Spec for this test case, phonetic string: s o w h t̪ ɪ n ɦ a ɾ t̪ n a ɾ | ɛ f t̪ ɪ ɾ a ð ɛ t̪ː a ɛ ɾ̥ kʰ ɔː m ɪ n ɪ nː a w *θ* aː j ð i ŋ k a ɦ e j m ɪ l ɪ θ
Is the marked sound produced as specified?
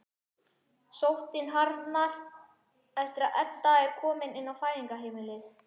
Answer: no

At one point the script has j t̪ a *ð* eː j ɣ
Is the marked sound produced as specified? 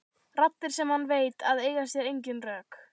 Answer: yes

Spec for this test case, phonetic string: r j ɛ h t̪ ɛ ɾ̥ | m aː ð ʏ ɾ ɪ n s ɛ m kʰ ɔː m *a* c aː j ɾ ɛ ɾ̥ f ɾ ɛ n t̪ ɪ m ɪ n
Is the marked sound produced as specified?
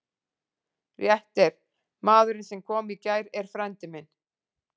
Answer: no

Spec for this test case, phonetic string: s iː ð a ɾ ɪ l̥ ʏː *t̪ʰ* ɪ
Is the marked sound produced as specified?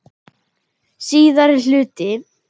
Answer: no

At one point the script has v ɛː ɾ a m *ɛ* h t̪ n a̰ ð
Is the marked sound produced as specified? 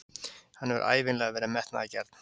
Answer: yes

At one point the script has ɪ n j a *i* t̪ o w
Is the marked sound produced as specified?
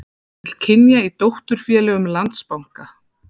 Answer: yes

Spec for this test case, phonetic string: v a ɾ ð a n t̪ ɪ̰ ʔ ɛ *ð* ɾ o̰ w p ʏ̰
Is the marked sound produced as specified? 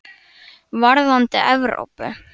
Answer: no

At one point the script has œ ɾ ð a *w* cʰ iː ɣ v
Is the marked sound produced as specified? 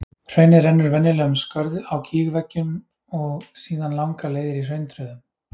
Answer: yes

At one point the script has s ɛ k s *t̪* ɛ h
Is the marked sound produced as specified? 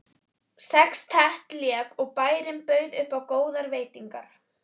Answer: no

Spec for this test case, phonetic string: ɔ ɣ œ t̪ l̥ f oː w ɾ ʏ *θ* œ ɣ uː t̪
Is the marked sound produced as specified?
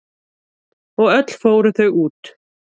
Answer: yes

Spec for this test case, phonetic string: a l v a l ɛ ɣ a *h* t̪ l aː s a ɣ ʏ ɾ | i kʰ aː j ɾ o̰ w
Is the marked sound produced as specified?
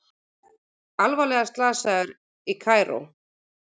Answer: no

